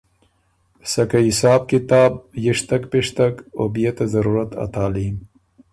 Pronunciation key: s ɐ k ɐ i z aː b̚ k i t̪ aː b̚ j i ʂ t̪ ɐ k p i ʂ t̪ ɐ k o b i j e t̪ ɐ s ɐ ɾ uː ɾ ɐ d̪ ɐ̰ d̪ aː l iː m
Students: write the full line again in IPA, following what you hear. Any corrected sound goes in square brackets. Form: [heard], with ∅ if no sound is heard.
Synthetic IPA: s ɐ k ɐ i [s] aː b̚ k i t̪ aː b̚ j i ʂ t̪ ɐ k p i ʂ t̪ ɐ k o b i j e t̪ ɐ [z] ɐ ɾ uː ɾ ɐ [t̪] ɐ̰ [t̪] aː l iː m